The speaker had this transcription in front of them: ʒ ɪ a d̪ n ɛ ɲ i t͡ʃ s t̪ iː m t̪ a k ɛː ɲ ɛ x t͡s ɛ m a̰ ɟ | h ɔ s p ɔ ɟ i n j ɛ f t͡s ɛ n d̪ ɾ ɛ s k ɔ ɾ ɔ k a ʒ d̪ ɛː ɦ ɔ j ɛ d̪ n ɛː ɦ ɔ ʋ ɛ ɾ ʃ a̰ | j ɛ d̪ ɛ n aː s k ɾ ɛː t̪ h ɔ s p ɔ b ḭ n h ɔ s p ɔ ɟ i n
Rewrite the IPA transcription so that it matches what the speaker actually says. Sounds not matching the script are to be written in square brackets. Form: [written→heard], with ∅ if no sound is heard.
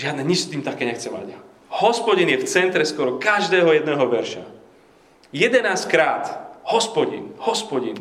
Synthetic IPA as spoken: ʒ ɪ a d̪ n ɛ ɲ i t͡ʃ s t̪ iː m t̪ a k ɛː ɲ ɛ x t͡s ɛ m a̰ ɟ | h ɔ s p ɔ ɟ i n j ɛ f t͡s ɛ n [d̪→t̪] ɾ ɛ s k ɔ ɾ ɔ k a ʒ d̪ ɛː ɦ ɔ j ɛ d̪ n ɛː ɦ ɔ ʋ ɛ ɾ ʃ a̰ | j ɛ d̪ ɛ n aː s k ɾ [ɛː→aː] t̪ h ɔ s p ɔ [b→ɟ] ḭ n h ɔ s p ɔ ɟ i n